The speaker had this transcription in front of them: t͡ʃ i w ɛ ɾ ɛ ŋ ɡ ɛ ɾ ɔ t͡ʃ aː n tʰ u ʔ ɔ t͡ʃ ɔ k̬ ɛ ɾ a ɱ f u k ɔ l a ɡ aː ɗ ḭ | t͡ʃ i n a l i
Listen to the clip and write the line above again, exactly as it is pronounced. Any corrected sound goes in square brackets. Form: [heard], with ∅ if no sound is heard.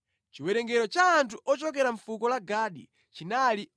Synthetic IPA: t͡ʃ i w ɛ ɾ ɛ ŋ ɡ ɛ ɾ ɔ t͡ʃ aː n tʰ u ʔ ɔ t͡ʃ ɔ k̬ ɛ ɾ a ɱ f u k ɔ l a ɡ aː ɗ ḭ | t͡ʃ i n a l i